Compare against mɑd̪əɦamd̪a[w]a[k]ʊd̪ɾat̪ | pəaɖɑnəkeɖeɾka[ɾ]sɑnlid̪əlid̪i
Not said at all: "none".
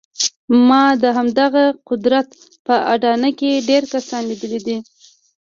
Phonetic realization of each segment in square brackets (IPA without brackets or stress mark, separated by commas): ɣ, q, none